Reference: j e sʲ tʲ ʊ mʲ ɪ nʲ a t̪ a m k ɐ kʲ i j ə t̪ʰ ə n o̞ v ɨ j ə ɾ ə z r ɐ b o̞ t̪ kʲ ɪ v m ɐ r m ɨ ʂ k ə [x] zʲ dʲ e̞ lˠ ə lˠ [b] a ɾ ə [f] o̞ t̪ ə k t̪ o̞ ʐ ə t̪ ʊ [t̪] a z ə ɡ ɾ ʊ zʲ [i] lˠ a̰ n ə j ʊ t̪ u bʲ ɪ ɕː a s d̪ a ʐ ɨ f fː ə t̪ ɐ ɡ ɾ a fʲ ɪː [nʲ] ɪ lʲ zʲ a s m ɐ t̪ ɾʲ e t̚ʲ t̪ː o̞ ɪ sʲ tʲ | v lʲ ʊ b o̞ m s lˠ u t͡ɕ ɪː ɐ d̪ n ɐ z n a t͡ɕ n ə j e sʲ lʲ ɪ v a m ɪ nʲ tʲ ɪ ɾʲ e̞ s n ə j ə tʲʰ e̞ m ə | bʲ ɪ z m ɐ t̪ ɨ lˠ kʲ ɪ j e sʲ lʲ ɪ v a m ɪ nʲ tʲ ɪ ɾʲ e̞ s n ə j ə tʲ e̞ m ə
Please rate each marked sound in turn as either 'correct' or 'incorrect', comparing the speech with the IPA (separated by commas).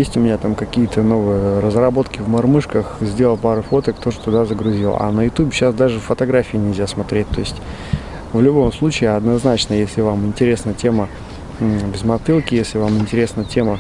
correct, incorrect, correct, incorrect, correct, correct